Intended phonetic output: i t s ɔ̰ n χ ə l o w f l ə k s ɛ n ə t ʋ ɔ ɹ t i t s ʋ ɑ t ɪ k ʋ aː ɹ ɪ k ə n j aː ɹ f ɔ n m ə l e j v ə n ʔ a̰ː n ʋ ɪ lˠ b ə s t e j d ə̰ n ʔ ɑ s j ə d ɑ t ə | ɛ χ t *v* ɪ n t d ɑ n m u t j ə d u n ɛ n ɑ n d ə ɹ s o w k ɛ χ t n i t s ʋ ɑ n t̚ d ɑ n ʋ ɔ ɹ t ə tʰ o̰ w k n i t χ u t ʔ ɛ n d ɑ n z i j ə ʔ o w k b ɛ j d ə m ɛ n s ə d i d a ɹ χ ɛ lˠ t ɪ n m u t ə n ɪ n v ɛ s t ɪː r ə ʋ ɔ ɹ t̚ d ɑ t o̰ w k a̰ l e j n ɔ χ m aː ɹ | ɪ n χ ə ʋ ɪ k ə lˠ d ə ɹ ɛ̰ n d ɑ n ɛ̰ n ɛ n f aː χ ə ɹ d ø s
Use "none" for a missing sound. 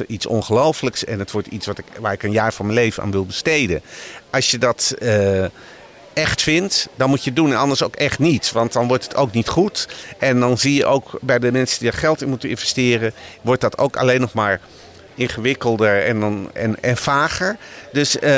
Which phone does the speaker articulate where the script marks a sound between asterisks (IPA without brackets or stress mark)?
f